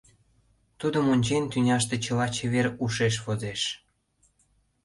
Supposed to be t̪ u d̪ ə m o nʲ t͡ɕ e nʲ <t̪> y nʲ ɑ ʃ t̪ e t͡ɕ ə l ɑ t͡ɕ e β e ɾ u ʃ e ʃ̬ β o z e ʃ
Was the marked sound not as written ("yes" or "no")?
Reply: no